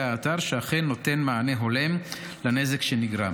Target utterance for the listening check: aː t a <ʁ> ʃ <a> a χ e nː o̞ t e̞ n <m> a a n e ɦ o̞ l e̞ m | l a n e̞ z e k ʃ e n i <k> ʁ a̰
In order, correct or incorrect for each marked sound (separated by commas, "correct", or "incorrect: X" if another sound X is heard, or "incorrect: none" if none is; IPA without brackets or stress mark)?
correct, incorrect: e, correct, incorrect: ɡ